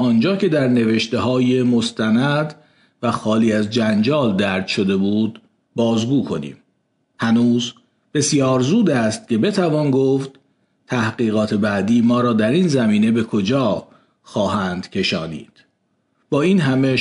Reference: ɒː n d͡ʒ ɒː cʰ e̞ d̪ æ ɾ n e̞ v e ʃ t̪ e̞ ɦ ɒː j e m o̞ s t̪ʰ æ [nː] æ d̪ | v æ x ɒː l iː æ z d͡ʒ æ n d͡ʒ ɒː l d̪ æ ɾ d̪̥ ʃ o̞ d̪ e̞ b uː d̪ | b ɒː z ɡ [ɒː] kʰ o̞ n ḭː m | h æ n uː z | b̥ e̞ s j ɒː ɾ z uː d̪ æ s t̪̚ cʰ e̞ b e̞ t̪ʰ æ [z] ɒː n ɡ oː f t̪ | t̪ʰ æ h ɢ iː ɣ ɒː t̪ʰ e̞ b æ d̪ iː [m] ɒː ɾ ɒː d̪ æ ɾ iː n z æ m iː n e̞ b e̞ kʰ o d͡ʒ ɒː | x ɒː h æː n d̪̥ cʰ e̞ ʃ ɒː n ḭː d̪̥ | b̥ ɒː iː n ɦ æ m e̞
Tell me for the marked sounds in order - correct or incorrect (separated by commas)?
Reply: incorrect, incorrect, incorrect, correct